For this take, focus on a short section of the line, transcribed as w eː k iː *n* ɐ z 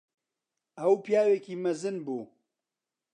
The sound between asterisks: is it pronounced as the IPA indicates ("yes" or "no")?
no